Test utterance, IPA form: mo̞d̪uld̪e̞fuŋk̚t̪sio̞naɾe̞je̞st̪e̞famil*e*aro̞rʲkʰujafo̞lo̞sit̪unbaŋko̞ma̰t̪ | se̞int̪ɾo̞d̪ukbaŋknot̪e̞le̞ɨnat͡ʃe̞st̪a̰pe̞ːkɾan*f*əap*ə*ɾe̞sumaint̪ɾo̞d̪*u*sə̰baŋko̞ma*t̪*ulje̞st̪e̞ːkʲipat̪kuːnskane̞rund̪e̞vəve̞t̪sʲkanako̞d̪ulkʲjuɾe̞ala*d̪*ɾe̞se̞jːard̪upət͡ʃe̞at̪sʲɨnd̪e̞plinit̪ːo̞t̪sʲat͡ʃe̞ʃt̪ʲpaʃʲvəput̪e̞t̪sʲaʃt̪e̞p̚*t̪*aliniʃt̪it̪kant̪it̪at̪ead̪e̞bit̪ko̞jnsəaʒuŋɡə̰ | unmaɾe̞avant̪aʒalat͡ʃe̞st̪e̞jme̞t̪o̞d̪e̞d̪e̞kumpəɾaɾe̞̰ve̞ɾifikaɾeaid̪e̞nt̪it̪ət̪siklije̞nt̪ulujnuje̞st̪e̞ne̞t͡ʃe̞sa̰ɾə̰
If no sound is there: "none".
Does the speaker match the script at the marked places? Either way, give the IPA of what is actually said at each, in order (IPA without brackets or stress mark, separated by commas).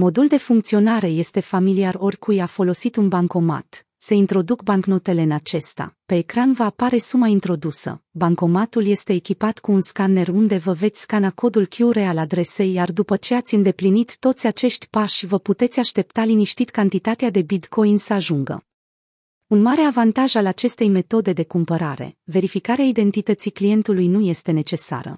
i, v, a, u, t̪, d̪, t̪